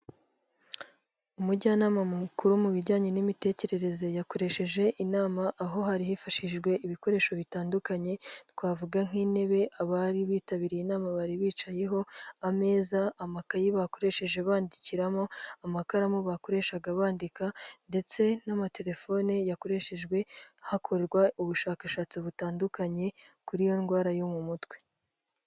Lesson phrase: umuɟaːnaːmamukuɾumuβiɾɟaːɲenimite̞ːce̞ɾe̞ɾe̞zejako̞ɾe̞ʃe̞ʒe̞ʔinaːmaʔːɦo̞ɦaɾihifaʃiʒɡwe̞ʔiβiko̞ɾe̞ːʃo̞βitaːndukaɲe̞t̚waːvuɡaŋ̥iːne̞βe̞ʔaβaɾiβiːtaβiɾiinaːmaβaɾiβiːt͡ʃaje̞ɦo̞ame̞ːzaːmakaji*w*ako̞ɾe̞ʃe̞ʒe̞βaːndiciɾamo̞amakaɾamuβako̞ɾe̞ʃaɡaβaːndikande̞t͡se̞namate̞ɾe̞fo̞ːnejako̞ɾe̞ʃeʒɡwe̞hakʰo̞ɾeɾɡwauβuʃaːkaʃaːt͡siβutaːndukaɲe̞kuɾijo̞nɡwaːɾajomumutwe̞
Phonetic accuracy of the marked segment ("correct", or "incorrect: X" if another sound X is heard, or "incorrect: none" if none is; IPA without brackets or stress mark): incorrect: β